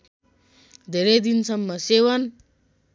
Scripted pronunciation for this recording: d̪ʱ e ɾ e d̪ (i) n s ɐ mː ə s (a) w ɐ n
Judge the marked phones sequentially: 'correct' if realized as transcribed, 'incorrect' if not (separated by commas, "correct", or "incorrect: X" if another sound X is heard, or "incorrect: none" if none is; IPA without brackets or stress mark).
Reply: correct, incorrect: e